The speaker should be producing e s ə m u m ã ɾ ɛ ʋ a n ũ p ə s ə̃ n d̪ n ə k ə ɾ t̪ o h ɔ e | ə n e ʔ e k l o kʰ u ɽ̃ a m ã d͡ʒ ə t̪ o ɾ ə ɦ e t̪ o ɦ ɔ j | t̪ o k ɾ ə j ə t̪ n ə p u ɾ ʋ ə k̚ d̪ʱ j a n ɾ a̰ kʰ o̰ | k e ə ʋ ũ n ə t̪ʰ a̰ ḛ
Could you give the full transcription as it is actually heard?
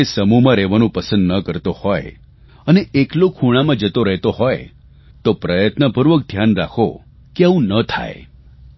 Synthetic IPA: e s ə m u m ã ɾ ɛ ʋ a n ũ p ə s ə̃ n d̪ n ə k ə ɾ t̪ o h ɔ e | ə n e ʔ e k l o kʰ u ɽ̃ a m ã d͡ʒ ə t̪ o ɾ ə ɦ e t̪ o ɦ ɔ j | t̪ o p ɾ ə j ə t̪ n ə p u ɾ ʋ ə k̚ d̪ʱ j a n ɾ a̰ kʰ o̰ | k e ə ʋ ũ n ə t̪ʰ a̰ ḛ